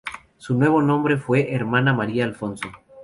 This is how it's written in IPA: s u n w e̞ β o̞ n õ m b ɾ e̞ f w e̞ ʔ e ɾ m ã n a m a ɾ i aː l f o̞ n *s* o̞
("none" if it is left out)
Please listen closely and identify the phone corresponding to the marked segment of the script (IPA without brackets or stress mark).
s